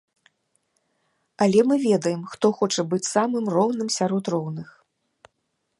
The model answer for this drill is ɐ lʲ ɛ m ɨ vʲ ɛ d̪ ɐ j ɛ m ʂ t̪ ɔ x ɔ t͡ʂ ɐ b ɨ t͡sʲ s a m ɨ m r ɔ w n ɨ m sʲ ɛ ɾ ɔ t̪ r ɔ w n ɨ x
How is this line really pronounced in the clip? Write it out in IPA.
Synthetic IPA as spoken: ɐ lʲ ɛ m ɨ vʲ ɛ d̪ ɐ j ɛ m x t̪ ɔ x ɔ t͡ʂ ɐ b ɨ t͡sʲ s a m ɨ m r ɔ w n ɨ m sʲ a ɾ ɔ t̪ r ɔ w n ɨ x

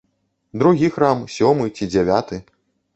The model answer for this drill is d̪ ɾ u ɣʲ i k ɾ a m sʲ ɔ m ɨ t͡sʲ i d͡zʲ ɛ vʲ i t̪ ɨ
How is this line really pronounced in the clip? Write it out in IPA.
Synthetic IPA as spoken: d̪ ɾ u ɣʲ i x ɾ a m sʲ ɔ m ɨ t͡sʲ i d͡zʲ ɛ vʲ a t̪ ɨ

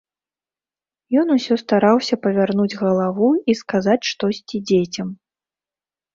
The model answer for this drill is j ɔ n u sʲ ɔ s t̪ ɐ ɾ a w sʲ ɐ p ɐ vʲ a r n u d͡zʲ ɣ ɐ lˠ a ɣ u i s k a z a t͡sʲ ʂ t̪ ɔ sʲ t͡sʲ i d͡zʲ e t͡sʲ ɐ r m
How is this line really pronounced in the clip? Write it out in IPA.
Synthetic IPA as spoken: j ɔ n u sʲ ɔ s t̪ a ɾ a w sʲ ɐ p ɐ vʲ a r n u d͡zʲ ɣ ɐ lˠ a v u i s k a z a t͡sʲ ʂ t̪ ɔ sʲ t͡sʲ i d͡zʲ e t͡sʲ ɐ m

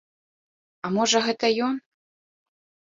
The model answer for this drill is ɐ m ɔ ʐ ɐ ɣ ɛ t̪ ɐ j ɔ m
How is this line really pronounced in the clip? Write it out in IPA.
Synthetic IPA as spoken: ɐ m ɔ ʐ ɐ ɣ ɛ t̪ ɐ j ɔ n

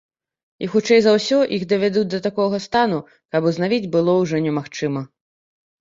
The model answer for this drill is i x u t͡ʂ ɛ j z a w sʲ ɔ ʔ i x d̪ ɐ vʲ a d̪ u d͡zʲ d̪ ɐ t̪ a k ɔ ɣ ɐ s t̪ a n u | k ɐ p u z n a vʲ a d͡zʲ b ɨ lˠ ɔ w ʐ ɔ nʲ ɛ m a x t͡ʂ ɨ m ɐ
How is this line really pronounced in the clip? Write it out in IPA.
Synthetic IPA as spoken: i x u t͡ʂ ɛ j z a w sʲ ɔ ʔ i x d̪ ɐ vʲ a d̪ u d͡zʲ d̪ ɐ t̪ a k ɔ ɣ ɐ s t̪ a n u | k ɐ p u z n a vʲ i d͡zʲ b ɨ lˠ ɔ w ʐ ɔ nʲ ɛ m a x t͡ʂ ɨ m ɐ

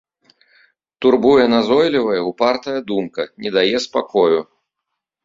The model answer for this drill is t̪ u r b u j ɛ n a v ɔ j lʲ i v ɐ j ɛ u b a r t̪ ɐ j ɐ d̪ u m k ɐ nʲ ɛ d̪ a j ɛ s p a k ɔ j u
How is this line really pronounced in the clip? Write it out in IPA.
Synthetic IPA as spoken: t̪ u r b u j ɛ n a z ɔ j lʲ i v ɐ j ɛ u p a r t̪ ɐ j ɐ d̪ u m k ɐ nʲ ɛ d̪ a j ɛ s p a k ɔ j u

